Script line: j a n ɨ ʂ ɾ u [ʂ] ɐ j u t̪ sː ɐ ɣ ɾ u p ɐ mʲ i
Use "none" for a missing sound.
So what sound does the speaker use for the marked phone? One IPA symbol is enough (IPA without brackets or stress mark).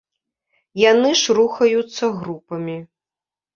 x